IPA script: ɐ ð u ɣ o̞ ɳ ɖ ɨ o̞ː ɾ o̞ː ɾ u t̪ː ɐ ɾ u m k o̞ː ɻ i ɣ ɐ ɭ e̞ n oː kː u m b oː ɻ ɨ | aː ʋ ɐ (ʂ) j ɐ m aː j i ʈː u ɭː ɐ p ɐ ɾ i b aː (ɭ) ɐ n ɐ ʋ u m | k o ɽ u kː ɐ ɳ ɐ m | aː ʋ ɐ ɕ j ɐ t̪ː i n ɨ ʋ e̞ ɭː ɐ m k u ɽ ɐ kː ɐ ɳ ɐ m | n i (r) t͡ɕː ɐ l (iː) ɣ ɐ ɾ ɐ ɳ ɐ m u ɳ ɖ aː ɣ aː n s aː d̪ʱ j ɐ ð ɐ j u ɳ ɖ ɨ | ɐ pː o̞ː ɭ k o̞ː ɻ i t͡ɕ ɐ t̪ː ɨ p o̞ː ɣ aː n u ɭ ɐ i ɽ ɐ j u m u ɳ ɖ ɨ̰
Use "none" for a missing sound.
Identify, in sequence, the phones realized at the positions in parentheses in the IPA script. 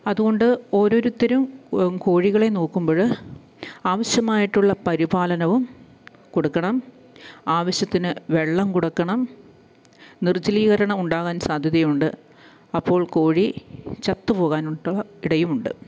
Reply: ɕ, l, r, iː

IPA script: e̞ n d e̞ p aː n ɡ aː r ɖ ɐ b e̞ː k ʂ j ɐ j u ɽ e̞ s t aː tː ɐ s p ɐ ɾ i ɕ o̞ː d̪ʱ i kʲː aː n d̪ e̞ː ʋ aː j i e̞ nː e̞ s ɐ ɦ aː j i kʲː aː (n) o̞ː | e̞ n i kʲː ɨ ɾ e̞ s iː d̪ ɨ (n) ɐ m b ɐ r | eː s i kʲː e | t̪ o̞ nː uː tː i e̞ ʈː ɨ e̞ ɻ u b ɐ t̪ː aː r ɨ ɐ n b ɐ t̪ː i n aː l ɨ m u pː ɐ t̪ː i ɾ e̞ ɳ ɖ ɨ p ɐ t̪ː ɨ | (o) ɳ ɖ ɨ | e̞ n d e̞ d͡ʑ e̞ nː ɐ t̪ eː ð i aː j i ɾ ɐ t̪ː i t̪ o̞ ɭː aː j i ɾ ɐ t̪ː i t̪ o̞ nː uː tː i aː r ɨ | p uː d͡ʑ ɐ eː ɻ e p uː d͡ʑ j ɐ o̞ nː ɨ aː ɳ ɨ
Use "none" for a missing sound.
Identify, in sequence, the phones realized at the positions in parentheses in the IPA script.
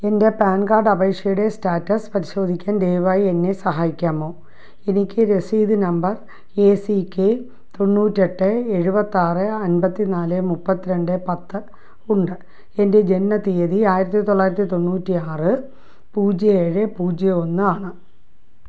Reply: m, n, u

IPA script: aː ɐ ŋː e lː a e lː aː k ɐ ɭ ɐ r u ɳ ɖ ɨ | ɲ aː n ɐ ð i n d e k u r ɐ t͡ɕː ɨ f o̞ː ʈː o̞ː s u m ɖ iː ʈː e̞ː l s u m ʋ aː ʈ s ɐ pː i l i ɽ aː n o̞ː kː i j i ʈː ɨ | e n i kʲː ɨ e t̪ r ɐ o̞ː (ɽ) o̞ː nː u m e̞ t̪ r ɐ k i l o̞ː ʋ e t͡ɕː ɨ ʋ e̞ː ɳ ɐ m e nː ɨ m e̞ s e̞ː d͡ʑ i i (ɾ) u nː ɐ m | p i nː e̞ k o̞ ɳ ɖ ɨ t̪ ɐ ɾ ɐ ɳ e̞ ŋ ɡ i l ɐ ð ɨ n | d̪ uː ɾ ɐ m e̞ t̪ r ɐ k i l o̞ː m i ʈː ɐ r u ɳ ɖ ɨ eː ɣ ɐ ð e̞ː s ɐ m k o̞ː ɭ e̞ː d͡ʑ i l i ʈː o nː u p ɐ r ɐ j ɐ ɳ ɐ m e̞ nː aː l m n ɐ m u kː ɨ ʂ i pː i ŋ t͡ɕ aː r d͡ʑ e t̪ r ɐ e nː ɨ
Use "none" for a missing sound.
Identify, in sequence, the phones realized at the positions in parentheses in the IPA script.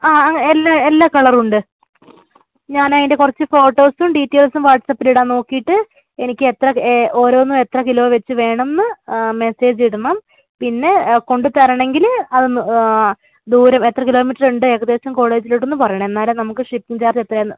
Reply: ɾ, ɽ

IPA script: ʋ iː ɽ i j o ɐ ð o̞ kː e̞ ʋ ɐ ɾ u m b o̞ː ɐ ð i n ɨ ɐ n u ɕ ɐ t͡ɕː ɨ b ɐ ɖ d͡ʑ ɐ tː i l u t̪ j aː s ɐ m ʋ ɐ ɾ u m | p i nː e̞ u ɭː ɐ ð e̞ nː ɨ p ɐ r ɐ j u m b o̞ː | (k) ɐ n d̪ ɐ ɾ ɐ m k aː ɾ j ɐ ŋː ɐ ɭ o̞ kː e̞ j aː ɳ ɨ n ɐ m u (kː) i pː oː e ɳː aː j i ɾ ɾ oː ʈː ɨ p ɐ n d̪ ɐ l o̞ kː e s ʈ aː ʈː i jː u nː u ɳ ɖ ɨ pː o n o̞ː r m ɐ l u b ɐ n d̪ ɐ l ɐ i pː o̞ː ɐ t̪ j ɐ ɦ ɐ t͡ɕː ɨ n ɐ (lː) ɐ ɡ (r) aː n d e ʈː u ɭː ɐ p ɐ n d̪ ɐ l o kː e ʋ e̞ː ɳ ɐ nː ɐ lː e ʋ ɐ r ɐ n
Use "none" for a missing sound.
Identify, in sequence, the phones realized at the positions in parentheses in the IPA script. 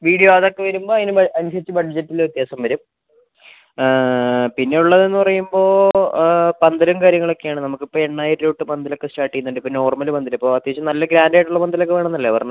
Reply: p, kː, lː, ɾ

